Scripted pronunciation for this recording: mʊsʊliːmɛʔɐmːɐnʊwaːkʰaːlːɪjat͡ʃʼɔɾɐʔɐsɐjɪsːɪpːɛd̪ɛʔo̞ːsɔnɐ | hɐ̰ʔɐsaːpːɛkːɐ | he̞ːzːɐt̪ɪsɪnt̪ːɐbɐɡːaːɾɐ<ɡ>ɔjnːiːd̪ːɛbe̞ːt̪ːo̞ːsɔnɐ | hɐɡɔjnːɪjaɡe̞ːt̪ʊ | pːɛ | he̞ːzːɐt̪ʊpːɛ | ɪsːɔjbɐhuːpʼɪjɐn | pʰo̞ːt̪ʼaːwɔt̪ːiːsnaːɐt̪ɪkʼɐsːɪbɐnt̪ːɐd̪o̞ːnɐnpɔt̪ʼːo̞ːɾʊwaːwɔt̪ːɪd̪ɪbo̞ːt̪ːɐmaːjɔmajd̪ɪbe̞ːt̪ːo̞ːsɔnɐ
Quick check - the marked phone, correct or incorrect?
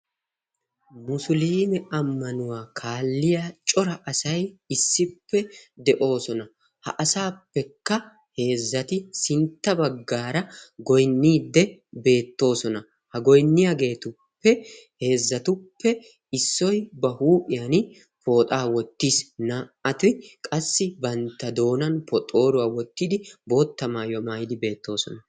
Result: correct